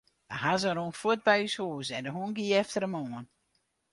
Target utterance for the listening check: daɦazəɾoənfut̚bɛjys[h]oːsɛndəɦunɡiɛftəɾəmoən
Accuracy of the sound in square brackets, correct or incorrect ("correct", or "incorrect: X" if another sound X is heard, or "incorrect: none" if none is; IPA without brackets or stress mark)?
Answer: correct